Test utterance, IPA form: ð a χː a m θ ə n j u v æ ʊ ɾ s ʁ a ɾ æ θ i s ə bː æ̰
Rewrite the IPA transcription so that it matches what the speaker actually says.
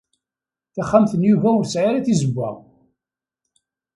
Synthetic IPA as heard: θ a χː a m θ ə n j u v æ ʊ ɾ s ʕ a ɾ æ θ i z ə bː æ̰